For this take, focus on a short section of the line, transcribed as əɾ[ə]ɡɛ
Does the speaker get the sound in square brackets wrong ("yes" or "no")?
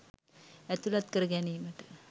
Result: no